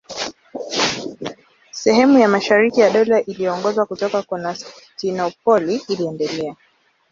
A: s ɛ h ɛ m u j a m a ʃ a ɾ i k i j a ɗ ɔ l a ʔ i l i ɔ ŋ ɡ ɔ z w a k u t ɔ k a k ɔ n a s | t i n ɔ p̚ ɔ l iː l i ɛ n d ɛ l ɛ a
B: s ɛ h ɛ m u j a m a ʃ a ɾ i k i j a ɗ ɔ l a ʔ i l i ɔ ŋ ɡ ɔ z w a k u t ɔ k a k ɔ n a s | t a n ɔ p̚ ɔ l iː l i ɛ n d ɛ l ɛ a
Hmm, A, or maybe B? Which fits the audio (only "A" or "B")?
A